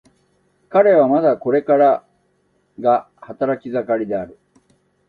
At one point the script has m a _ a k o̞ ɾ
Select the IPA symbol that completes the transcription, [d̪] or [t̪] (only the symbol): d̪